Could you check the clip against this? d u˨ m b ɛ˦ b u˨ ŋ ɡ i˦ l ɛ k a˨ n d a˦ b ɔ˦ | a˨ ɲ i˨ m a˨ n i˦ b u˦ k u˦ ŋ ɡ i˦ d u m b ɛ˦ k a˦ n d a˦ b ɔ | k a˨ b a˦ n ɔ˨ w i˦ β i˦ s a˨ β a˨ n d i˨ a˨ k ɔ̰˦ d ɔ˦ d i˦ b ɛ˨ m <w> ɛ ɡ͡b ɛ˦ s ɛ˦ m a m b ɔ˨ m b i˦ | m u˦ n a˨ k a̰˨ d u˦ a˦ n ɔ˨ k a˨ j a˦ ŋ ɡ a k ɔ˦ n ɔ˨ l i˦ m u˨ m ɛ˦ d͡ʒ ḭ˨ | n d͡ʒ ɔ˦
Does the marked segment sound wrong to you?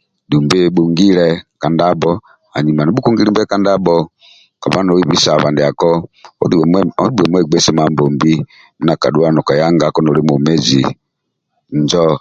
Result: no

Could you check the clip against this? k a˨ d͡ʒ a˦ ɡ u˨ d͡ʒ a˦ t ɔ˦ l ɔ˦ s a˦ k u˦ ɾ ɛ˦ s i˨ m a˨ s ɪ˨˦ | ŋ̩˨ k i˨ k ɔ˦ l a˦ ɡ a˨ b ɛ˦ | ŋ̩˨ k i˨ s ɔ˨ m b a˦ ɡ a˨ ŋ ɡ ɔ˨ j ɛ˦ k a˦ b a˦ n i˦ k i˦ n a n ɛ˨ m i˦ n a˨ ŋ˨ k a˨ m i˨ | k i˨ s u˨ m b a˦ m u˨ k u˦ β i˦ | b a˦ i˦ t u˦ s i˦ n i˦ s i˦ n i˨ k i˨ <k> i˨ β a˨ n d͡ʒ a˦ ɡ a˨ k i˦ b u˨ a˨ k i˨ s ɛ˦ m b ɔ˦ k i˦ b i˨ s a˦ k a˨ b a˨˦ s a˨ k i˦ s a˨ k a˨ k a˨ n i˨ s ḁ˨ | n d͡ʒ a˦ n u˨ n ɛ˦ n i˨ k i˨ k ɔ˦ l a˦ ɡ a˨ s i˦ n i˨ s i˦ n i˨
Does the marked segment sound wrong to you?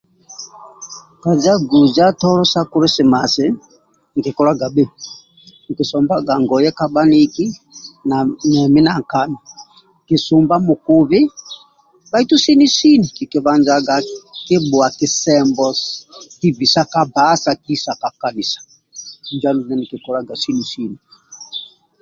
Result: no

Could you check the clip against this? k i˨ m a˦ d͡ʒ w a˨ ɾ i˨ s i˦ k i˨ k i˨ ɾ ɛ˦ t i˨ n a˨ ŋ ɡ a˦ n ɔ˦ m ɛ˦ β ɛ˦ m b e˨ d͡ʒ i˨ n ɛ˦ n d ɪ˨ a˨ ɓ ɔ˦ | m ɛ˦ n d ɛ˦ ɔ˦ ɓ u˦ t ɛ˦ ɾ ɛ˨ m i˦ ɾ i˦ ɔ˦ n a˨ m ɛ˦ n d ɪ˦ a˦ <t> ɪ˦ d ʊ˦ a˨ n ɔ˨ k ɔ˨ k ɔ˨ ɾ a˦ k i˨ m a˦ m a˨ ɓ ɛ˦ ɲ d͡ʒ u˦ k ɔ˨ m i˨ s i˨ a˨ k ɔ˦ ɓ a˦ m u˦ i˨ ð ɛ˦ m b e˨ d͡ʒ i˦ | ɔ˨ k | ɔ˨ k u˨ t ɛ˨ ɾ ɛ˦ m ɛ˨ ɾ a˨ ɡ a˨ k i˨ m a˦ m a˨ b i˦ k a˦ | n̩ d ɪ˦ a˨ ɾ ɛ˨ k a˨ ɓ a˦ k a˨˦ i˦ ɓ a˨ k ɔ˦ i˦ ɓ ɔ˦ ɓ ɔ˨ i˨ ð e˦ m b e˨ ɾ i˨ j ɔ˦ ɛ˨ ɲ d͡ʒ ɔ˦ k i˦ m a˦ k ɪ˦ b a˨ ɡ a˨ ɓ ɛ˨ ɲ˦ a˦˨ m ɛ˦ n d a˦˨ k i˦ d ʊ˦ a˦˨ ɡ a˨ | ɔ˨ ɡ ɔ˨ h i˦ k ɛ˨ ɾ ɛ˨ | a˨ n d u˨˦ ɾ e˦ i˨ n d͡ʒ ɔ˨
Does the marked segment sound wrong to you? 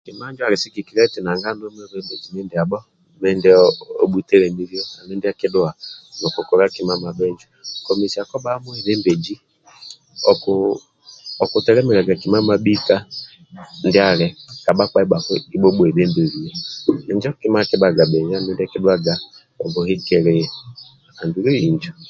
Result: yes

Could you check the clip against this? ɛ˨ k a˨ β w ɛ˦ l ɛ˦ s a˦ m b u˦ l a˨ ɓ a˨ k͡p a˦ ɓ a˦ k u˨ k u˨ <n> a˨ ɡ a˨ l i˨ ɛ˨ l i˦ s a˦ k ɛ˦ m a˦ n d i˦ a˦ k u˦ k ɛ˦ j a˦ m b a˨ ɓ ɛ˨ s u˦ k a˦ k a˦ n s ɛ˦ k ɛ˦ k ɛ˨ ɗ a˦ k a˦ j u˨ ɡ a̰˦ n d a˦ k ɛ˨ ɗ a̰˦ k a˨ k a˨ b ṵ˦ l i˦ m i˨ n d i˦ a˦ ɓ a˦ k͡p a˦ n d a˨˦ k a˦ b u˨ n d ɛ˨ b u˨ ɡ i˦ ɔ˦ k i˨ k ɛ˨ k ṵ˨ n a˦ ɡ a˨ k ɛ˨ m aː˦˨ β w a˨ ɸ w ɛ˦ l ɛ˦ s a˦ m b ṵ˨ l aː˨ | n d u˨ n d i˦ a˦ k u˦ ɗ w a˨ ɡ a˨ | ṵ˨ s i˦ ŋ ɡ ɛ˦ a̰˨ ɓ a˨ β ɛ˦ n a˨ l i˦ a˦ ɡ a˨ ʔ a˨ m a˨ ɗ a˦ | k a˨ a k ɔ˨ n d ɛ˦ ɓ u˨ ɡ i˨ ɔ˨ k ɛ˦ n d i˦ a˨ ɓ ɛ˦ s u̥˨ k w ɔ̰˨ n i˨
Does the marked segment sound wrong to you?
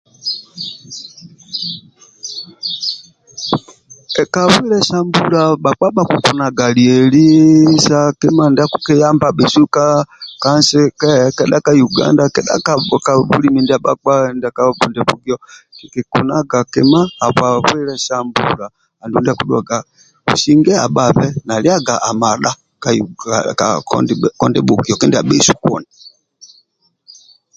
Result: no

